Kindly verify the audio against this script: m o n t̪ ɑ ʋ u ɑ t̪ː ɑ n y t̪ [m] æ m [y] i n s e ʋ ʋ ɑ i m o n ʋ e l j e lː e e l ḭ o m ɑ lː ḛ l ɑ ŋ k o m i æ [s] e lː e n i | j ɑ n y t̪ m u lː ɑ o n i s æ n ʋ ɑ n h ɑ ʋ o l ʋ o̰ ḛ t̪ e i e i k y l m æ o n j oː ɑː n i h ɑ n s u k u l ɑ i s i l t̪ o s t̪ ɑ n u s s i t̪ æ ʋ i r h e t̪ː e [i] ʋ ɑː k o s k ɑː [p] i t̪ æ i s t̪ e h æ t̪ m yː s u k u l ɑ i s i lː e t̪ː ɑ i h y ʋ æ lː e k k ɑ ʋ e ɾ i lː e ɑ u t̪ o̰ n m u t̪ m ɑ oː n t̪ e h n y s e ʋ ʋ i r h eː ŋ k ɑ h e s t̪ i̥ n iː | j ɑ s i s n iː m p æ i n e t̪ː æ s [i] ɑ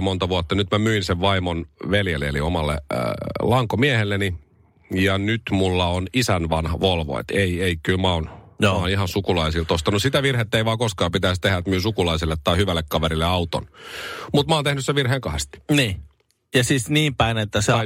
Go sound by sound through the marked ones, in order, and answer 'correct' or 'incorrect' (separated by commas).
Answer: correct, correct, incorrect, correct, correct, incorrect